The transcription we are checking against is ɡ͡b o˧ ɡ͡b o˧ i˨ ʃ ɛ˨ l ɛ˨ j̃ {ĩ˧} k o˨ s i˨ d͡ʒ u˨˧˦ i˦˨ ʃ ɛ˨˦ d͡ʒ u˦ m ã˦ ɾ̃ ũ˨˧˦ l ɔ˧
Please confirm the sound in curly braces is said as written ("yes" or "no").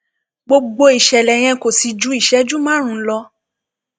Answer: no